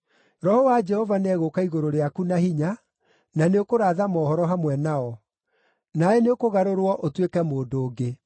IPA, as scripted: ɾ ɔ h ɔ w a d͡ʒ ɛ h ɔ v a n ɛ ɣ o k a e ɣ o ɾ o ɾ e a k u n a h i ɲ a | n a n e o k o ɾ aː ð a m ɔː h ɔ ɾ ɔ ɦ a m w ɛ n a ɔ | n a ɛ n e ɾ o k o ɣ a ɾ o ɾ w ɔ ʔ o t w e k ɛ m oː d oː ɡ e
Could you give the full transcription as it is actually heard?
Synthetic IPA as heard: ɾ ɔ h ɔ w a d͡ʒ ɛ h ɔ v a n ɛ ɣ o k a i ɣ o ɾ o ɾ e a k u n a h i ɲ a | n a n e o k o ɾ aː ð a m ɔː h ɔ ɾ ɔ ɦ a m w ɛ n a ɔ | n a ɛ n e o k o ɣ a ɾ o ɾ w ɔ ʔ o t w e k ɛ m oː d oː ɡ e